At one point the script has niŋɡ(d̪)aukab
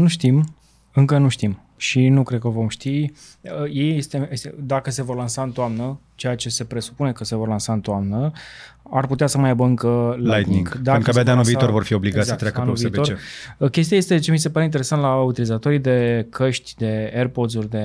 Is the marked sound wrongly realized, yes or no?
no